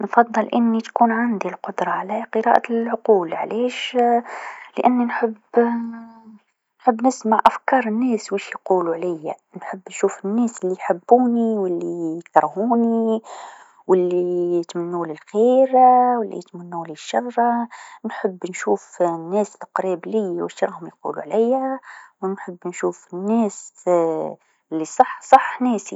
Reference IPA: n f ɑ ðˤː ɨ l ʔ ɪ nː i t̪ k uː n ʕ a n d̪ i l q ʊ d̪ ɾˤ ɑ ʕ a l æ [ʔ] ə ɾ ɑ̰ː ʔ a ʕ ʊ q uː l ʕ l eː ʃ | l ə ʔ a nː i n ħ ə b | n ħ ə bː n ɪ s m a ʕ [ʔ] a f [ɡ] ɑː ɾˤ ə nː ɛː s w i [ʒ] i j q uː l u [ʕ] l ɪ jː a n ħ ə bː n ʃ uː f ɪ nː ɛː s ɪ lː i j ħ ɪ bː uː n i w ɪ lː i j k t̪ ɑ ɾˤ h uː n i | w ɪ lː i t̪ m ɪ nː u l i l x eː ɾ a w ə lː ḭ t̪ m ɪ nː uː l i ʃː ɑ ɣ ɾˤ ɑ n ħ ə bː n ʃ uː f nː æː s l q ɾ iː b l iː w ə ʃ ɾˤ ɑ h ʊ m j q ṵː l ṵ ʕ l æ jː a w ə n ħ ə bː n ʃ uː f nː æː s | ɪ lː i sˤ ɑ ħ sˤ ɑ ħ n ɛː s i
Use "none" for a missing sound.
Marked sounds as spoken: q, ʔ, k, ʃ, ʕ

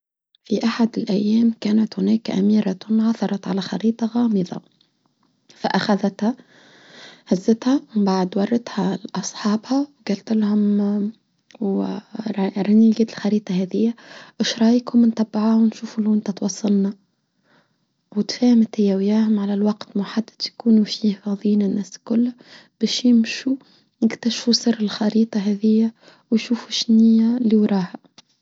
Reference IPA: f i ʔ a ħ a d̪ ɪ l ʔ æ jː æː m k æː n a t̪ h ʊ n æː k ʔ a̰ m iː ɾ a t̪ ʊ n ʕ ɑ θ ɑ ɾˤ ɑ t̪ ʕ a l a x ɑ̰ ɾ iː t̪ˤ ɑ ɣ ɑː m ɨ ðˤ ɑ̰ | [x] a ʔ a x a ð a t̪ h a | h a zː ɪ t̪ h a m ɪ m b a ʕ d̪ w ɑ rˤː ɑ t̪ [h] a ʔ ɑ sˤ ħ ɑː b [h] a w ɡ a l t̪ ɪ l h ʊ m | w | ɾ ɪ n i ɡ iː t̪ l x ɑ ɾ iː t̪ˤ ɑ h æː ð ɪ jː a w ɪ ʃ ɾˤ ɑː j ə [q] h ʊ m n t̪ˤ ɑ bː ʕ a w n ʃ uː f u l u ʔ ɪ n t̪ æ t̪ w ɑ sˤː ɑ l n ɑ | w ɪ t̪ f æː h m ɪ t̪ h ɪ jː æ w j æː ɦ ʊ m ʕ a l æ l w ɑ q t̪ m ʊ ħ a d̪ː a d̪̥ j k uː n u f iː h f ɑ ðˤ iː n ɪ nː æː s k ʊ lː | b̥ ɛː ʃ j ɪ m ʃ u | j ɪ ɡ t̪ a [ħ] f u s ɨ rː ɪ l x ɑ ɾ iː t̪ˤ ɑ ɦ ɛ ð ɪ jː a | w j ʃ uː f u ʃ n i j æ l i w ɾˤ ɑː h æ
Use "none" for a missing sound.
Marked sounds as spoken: f, h, h, k, ʃ

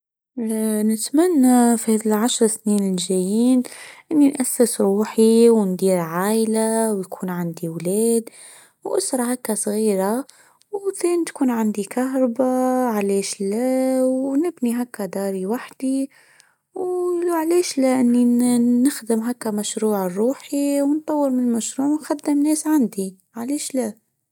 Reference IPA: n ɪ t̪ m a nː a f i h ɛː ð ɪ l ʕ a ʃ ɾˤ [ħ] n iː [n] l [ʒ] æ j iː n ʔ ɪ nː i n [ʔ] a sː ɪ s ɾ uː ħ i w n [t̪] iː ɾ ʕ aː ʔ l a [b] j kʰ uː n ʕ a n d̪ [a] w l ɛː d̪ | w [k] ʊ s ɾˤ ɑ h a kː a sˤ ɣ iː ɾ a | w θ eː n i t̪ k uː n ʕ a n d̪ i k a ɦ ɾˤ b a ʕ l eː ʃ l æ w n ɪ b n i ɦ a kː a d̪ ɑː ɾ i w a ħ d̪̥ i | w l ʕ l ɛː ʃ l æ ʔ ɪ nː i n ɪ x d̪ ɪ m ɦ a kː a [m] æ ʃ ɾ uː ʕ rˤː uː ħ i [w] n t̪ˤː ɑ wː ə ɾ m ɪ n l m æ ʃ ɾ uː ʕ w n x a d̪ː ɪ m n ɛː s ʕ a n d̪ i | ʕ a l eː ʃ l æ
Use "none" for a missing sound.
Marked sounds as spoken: s, n, ʒ, ʔ, d̪, w, i, ʔ, m, w

